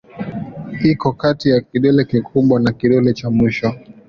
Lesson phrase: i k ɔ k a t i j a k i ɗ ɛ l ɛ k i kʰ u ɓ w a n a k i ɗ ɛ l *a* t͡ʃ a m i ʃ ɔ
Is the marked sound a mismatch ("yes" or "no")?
yes